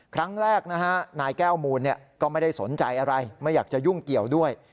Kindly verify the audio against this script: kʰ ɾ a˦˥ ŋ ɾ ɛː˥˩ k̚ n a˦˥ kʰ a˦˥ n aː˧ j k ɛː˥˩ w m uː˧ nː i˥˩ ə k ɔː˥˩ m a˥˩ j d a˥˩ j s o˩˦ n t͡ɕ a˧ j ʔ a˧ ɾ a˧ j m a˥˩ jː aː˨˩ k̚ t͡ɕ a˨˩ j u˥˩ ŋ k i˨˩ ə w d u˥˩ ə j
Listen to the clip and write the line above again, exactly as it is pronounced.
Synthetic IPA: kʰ ɾ a˦˥ ŋ ɾ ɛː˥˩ k̚ n a˦˥ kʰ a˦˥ n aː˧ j k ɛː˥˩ w m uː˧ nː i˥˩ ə k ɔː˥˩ m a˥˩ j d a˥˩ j s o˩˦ n t͡ɕ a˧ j ʔ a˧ ɾ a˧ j m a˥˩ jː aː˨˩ k̚ t͡ɕ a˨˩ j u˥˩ ŋ k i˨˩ ə w d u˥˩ ə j